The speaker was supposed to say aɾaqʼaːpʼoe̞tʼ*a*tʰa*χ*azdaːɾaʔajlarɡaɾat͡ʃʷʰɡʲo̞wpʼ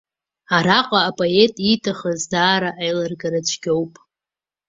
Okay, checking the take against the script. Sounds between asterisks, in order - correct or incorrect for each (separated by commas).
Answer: incorrect, correct